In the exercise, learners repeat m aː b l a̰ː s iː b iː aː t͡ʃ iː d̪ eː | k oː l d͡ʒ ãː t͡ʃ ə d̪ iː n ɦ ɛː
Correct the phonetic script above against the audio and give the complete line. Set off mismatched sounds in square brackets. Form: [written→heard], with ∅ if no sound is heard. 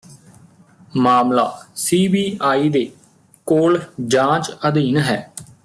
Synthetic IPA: m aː [b→m] l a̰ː s iː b iː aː [t͡ʃ→∅] iː d̪ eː | k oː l d͡ʒ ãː t͡ʃ ə d̪ iː n ɦ ɛː